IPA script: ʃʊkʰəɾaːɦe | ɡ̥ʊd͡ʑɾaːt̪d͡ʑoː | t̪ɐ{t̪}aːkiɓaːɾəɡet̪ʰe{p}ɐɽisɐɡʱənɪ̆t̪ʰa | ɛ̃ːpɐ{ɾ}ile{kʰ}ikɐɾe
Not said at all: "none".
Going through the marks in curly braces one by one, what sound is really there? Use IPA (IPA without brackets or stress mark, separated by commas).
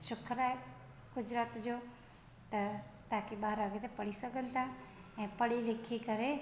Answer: t̪, p, ɽ, kʰ